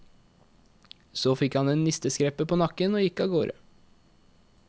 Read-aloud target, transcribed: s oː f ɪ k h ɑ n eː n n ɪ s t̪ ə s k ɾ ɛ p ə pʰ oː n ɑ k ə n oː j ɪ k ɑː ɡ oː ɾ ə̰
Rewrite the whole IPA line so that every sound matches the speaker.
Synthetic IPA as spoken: s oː f ɪ k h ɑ n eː n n ɪ s t̪ ə s k ɾ ɛ p ə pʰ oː n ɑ k ə n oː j ɪ k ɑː ɡ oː ɾ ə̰